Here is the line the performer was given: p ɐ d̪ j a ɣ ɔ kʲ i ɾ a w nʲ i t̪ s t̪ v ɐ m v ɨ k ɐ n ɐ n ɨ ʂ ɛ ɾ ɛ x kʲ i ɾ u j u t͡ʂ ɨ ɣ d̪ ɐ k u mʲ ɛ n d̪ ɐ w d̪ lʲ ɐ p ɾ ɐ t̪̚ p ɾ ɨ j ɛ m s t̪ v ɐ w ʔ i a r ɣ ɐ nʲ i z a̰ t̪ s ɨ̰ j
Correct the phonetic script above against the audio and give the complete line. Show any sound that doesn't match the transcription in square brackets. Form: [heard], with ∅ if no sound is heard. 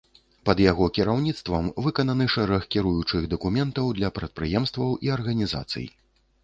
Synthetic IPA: p ɐ d̪ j a ɣ ɔ kʲ i ɾ a w nʲ i t̪ s t̪ v ɐ m v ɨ k ɐ n ɐ n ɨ ʂ ɛ ɾ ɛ x kʲ i ɾ u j u t͡ʂ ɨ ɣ d̪ ɐ k u mʲ ɛ n [t̪] ɐ w d̪ lʲ ɐ p ɾ ɐ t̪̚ p ɾ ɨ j ɛ m s t̪ v ɐ w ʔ i [ɐ] r ɣ ɐ nʲ i z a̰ t̪ s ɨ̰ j